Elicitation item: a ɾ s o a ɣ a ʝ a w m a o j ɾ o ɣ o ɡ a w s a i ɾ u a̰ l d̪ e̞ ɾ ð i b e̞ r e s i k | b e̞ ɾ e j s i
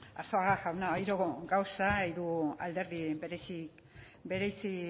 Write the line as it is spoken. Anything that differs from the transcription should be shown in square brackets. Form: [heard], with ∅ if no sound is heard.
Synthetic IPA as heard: a ɾ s o a ɣ a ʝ a w [n] a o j ɾ o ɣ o ɡ a w s a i ɾ u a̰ l d̪ e̞ ɾ ð i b e̞ [ɾ] e s i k | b e̞ ɾ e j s i